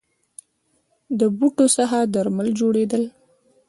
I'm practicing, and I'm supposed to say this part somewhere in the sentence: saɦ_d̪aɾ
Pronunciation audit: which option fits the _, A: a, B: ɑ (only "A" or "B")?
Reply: A